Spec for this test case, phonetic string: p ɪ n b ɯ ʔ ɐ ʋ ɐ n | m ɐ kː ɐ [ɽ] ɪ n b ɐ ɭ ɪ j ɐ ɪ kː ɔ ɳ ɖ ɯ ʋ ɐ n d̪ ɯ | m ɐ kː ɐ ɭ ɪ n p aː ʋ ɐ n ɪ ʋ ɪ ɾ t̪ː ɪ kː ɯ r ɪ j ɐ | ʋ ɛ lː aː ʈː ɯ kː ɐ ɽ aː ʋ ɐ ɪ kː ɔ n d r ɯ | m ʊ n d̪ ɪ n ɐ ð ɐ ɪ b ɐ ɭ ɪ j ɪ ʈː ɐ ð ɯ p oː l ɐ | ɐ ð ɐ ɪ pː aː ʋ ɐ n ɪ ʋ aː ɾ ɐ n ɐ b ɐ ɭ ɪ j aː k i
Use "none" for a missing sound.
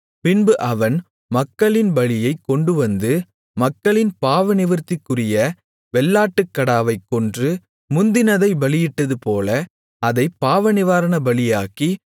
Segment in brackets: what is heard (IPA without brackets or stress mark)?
ɭ